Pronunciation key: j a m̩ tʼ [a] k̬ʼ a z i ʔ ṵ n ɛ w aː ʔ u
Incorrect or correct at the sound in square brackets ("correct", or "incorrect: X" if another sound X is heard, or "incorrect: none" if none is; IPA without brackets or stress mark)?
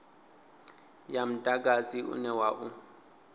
correct